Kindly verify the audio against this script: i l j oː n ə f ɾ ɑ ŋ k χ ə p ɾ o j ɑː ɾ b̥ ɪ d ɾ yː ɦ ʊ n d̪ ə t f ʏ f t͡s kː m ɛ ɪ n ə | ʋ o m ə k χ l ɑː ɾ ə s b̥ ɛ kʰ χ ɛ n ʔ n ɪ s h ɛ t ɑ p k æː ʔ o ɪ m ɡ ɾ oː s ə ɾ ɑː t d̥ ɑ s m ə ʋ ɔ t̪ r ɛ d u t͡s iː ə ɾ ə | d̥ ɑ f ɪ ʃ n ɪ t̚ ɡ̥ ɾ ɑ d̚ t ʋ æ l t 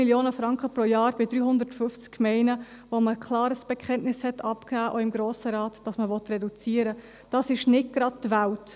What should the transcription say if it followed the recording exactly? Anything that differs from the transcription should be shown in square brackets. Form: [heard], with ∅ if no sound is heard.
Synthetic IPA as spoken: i l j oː n ə f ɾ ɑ ŋ k χ ə p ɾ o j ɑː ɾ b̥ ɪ d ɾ yː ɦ ʊ n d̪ ə t f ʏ f t͡s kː m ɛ ɪ n ə | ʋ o m ə k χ l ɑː ɾ ə s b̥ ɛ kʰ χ ɛ n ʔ n ɪ s h ɛ t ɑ p k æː ʔ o ɪ m ɡ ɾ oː s ə ɾ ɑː t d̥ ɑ s m ə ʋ ɔ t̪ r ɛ d u t͡s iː ə ɾ ə | d̥ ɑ [s] ɪ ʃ n ɪ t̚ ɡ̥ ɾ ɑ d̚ t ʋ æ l t